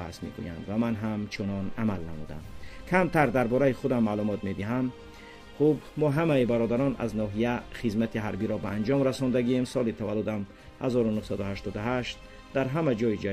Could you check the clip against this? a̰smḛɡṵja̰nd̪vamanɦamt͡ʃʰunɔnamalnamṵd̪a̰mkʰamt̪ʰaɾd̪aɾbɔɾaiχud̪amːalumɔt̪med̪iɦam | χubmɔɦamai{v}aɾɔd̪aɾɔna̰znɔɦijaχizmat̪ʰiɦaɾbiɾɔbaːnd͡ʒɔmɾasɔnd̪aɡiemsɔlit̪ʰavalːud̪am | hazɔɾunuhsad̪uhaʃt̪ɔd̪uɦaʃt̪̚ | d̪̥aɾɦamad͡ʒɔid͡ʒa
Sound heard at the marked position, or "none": b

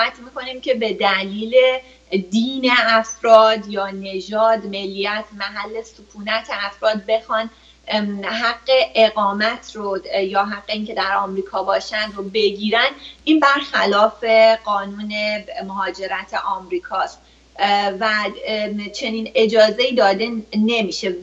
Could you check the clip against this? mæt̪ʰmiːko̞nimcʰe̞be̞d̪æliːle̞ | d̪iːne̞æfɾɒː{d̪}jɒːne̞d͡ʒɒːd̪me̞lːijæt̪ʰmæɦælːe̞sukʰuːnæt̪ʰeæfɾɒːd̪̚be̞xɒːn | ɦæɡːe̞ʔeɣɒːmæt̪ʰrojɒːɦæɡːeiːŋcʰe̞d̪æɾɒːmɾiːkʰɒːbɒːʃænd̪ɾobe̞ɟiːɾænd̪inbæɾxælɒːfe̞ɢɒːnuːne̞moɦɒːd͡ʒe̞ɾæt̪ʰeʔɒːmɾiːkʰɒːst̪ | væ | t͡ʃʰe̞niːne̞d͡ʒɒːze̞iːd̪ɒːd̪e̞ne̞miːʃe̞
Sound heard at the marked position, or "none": d̪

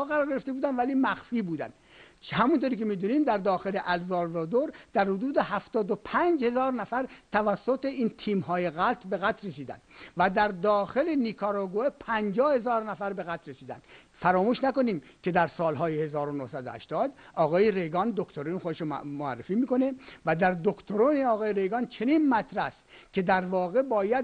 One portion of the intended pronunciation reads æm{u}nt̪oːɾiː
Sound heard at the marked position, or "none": u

